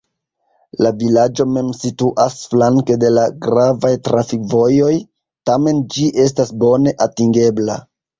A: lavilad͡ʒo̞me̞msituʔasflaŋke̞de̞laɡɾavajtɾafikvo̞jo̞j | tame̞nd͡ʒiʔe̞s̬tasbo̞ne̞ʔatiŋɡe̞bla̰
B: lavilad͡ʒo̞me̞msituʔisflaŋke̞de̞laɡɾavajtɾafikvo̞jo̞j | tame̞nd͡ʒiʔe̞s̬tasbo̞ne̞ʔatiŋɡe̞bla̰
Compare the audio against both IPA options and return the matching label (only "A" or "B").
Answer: A